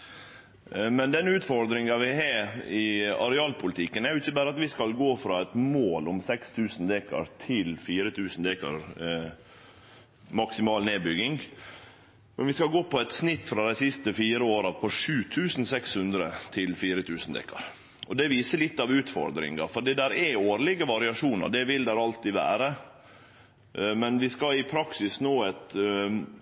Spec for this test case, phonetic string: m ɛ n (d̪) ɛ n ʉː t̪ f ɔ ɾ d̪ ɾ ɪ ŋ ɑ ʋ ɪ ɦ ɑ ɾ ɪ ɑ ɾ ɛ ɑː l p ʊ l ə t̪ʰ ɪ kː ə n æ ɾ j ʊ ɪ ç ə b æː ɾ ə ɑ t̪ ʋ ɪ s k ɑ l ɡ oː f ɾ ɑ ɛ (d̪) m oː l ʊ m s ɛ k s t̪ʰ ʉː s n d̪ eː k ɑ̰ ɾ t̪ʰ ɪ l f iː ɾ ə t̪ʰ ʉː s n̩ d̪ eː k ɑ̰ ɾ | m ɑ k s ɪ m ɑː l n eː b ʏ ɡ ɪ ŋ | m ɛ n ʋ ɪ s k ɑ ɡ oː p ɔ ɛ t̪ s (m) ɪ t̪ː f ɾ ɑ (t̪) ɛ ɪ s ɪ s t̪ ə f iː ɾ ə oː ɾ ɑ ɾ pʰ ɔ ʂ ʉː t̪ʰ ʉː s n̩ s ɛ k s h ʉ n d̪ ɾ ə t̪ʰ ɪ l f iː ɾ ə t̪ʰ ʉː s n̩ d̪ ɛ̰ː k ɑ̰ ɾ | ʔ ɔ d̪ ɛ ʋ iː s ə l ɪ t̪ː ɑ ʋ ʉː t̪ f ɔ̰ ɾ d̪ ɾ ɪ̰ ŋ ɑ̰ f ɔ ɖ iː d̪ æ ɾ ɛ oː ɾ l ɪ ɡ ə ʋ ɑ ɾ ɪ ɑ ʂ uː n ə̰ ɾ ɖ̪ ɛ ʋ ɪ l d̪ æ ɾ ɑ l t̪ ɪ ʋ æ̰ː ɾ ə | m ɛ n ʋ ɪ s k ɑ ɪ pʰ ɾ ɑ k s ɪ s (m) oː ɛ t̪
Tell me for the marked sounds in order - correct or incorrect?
correct, incorrect: t̪, incorrect: n, incorrect: d̪, incorrect: n

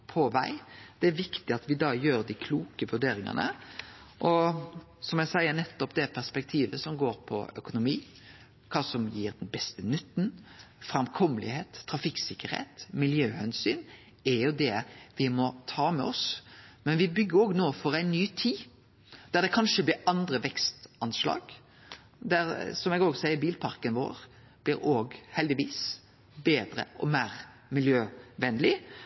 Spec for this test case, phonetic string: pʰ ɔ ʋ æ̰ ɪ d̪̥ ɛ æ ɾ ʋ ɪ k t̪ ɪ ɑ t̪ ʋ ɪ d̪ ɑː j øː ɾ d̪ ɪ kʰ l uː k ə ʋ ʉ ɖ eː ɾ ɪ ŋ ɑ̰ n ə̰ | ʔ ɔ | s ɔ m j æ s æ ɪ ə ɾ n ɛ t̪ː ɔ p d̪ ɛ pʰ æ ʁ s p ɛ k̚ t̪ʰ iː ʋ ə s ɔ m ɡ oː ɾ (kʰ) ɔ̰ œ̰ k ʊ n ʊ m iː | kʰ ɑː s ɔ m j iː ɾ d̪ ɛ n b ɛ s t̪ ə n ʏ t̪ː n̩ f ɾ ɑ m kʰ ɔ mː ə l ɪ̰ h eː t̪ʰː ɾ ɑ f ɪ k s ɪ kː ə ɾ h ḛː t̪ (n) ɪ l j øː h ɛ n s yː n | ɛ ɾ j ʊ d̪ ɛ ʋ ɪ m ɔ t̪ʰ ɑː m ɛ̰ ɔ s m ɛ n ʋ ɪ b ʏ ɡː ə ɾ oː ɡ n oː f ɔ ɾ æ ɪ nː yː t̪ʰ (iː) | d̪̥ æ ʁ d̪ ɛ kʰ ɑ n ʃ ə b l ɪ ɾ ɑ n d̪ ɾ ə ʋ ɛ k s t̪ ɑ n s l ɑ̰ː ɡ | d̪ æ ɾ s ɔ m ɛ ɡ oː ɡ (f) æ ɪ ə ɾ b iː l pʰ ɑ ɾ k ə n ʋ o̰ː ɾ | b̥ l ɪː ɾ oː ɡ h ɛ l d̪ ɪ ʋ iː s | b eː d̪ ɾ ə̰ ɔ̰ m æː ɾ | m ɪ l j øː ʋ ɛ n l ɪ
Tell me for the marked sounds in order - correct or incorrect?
incorrect: pʰ, incorrect: m, correct, incorrect: s

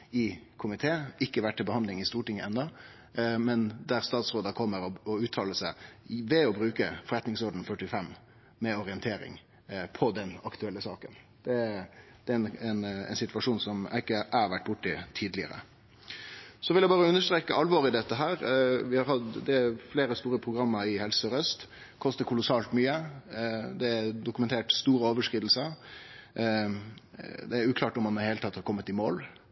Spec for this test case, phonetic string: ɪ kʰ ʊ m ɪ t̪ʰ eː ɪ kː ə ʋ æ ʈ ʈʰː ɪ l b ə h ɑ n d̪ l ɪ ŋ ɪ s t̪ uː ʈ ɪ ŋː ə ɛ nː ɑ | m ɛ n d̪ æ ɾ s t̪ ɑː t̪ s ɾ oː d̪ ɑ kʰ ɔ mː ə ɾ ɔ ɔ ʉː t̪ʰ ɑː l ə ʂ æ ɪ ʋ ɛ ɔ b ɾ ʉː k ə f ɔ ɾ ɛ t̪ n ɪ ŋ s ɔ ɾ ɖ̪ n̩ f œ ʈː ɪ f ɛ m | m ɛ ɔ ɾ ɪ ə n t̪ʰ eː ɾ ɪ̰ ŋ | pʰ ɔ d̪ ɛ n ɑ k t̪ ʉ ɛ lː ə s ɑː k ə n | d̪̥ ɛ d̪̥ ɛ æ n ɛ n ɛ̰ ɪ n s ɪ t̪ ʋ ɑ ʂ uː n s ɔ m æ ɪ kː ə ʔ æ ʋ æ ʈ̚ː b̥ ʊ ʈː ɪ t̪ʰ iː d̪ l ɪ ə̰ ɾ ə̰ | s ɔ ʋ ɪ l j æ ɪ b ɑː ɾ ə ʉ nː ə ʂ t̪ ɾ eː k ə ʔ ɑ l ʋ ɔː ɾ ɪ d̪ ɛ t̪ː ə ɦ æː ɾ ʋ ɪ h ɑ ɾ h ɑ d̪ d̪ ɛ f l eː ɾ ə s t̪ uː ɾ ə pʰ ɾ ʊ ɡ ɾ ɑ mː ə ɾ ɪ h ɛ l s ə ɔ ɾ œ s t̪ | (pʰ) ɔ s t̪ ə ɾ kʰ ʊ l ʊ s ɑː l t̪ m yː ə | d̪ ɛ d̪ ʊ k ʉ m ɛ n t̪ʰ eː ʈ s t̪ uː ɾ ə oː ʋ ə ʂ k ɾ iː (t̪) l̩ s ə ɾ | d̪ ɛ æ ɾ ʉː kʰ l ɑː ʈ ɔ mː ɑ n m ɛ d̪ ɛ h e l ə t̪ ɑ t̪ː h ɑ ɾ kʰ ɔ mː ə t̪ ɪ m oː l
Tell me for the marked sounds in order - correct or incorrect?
incorrect: kʰ, incorrect: d̪

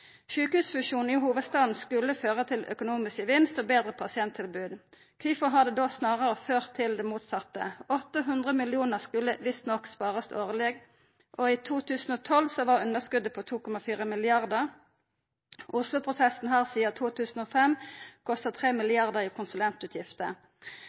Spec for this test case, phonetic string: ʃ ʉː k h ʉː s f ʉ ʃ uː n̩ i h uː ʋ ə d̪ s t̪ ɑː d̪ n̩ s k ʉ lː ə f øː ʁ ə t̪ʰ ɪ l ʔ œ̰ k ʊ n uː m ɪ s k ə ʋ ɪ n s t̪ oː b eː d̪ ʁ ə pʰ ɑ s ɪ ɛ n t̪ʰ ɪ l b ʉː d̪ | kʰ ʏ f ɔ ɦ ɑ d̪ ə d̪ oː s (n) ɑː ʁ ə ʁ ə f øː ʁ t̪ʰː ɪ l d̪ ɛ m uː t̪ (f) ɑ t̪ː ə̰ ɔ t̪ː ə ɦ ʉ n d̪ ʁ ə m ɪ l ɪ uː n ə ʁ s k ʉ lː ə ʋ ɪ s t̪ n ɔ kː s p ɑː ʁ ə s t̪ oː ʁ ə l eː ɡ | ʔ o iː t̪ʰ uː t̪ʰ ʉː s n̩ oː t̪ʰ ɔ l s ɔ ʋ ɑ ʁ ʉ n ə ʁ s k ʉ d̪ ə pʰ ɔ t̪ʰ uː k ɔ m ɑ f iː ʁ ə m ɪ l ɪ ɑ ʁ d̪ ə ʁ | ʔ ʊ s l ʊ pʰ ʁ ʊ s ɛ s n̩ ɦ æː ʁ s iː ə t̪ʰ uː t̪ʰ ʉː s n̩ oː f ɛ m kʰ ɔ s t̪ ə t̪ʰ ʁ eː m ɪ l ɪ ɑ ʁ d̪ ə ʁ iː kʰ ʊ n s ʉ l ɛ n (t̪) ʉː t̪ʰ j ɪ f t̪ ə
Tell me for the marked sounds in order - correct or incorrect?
correct, incorrect: s, correct

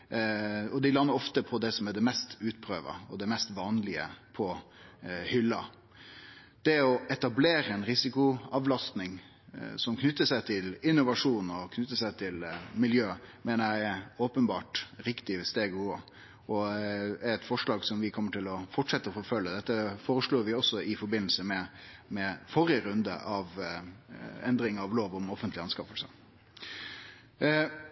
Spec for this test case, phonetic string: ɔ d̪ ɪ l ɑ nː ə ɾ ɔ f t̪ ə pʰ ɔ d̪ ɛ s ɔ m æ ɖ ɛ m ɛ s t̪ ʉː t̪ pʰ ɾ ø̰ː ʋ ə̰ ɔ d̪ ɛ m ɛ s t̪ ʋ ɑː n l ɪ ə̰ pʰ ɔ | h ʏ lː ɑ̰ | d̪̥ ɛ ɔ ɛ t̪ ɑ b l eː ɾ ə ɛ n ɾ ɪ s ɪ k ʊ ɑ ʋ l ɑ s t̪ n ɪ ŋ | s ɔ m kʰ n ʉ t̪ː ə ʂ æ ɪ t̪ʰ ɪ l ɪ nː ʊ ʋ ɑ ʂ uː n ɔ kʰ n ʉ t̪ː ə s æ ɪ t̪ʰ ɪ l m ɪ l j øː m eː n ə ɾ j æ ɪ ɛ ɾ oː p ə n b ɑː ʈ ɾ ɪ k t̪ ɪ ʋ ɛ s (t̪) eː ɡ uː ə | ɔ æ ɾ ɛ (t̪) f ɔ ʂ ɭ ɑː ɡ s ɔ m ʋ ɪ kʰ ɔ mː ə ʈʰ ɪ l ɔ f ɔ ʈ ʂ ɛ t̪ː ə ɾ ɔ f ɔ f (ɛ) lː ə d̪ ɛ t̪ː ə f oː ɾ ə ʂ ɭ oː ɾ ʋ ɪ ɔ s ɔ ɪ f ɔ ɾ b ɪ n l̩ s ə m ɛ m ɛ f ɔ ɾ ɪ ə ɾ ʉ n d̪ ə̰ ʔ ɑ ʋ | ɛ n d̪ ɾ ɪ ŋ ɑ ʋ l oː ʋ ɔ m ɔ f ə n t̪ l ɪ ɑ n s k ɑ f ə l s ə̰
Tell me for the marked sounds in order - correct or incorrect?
correct, correct, incorrect: œ

